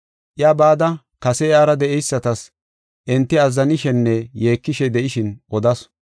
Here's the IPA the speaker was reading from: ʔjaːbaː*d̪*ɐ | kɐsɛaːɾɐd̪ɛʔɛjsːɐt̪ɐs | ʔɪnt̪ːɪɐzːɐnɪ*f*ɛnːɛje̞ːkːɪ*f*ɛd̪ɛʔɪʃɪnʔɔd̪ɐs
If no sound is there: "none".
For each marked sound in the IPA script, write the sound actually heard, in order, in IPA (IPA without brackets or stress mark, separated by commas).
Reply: d̪, ʃ, ʃ